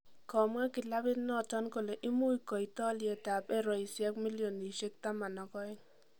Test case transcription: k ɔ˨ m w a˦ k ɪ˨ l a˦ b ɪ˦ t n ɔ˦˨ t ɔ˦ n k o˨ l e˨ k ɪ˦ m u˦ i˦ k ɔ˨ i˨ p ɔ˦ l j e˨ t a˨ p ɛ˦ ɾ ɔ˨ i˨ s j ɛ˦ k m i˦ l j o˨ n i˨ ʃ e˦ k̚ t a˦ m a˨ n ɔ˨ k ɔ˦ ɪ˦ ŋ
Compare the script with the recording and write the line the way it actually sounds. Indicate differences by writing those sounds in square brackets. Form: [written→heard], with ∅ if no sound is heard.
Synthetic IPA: k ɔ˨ m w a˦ k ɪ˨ l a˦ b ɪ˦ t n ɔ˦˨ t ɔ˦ n k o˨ l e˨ [k→ʔ] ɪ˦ m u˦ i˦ k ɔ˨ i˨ [p→t] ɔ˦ l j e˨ t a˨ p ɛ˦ ɾ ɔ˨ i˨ s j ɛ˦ k m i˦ l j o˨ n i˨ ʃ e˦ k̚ t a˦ m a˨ n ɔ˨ k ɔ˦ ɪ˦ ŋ